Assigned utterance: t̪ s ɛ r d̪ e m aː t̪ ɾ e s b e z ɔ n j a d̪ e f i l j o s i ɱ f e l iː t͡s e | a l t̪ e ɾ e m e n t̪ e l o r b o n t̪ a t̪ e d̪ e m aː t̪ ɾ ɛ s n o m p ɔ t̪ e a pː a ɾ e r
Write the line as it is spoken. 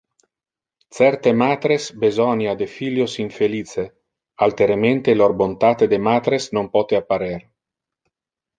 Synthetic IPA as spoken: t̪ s ɛ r t̪ e m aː t̪ ɾ e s b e z ɔ n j a d̪ e f i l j o s i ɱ f e l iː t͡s e | a l t̪ e ɾ e m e n t̪ e l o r b o n t̪ a t̪ e d̪ e m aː t̪ ɾ e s n o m p ɔ t̪ e a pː a ɾ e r